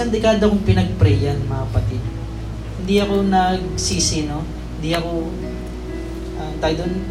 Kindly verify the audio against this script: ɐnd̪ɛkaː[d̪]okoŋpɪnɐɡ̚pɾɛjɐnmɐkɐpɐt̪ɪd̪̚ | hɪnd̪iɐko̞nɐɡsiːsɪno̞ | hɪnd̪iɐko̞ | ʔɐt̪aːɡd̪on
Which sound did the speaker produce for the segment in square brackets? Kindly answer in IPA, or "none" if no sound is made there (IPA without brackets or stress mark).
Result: d̪